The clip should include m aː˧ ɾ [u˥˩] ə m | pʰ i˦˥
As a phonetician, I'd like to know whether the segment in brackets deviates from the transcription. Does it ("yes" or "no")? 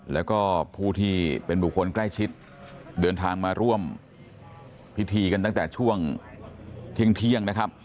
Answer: no